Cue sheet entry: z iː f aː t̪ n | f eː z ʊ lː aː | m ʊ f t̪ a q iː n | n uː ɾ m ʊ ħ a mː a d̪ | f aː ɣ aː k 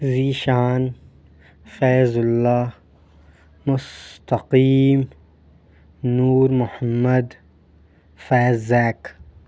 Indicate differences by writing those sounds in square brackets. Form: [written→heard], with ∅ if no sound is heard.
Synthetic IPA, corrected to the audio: z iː [f→ʃ] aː [t̪→∅] n | f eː z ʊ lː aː | m ʊ [f→s] t̪ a q iː [n→m] | n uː ɾ m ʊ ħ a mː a d̪ | f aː [ɣ→z] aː k